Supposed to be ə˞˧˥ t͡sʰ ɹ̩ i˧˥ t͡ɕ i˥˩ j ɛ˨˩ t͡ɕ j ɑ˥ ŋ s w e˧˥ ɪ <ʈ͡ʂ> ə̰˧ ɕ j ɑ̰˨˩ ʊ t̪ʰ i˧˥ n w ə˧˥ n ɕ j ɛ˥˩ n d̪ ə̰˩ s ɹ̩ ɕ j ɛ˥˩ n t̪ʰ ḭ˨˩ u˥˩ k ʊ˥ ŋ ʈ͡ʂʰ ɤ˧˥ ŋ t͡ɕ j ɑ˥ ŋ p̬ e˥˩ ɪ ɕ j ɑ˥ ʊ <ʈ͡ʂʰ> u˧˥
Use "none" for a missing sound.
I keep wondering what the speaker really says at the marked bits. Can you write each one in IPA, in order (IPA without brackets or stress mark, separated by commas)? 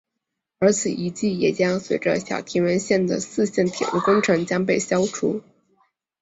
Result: ʈ͡ʂ, ʈ͡ʂʰ